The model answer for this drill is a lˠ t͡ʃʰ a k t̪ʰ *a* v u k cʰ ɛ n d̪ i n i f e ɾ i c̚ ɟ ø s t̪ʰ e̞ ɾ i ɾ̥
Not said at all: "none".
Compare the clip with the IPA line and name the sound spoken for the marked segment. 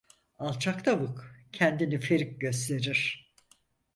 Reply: a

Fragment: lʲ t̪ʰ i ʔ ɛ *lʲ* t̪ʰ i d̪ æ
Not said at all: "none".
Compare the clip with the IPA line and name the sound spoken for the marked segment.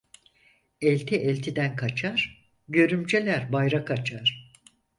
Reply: lʲ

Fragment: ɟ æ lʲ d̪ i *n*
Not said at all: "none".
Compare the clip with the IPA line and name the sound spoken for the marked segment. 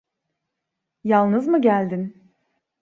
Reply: n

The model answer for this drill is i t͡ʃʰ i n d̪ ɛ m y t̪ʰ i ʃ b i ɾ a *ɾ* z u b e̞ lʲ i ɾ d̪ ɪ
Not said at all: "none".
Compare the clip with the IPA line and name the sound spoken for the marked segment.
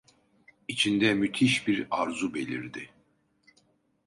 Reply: ɾ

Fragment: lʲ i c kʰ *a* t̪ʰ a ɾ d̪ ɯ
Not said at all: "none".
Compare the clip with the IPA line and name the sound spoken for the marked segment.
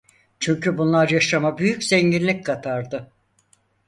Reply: a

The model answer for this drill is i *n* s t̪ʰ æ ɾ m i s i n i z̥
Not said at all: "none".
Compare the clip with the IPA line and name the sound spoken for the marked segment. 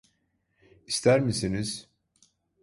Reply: none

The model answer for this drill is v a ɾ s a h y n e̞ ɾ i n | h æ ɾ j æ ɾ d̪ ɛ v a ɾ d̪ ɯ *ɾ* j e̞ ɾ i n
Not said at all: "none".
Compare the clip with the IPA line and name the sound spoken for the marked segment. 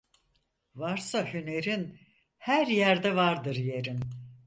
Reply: ɾ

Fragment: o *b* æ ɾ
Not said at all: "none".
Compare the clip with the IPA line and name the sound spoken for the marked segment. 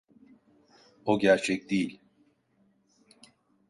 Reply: ɟ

